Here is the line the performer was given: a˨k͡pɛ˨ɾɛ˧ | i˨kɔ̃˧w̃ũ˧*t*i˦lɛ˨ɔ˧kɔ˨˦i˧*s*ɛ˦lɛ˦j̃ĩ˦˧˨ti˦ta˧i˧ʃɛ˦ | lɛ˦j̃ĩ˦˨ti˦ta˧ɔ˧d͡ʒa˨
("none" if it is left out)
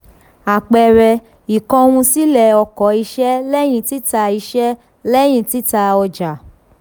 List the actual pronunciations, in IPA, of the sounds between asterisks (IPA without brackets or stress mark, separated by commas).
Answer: s, ʃ